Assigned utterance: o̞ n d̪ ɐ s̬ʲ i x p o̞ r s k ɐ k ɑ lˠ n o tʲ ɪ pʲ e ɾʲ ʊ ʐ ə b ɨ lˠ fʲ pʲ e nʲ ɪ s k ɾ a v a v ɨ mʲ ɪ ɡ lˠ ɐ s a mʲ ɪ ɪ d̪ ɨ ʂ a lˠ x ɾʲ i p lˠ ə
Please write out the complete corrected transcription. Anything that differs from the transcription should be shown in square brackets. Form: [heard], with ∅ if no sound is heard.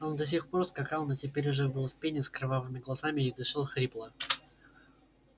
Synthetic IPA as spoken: o̞ n d̪ ɐ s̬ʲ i x p o̞ r s k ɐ k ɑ lˠ n o tʲ ɪ pʲ e ɾʲ ʊ ʐ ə b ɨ lˠ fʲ pʲ e nʲ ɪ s k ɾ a v a v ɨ mʲ ɪ ɡ lˠ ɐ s a mʲ ɪ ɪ d̪ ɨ ʂ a lˠ x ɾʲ i p lˠ ə